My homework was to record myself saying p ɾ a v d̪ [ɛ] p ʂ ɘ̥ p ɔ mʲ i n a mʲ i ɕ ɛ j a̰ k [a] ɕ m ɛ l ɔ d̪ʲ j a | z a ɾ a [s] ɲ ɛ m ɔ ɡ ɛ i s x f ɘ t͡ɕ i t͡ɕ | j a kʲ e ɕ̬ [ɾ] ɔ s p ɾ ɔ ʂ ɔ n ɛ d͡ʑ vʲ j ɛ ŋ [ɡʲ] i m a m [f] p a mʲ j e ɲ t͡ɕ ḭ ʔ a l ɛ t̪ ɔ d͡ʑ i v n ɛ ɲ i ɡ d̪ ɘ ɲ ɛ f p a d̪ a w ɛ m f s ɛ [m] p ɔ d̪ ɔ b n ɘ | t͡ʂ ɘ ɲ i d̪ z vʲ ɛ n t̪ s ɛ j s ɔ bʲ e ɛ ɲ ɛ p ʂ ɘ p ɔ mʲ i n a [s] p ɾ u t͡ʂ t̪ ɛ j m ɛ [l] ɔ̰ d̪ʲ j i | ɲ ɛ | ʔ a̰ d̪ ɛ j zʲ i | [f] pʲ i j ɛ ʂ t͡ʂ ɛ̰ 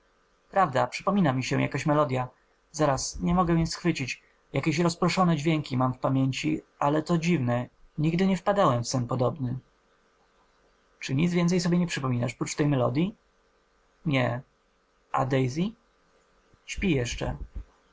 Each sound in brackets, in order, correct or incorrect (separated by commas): incorrect, correct, correct, correct, incorrect, correct, incorrect, incorrect, correct, incorrect